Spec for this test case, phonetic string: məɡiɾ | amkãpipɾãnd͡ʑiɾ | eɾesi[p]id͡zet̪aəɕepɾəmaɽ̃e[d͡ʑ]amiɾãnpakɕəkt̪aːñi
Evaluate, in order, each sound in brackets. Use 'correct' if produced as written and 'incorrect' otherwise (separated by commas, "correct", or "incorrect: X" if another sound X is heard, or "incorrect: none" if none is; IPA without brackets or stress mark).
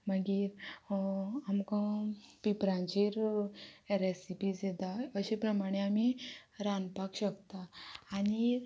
correct, incorrect: none